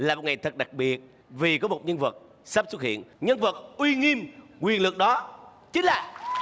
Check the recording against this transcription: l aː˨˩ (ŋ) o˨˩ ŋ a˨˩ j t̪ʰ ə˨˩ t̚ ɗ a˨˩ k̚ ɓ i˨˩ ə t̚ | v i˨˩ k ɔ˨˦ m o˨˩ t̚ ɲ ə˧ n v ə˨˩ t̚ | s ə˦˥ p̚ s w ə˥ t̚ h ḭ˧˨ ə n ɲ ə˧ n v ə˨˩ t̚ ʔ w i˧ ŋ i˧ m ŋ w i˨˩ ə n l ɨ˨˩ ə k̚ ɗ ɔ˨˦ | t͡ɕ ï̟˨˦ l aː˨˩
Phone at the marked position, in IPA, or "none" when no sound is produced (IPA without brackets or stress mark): m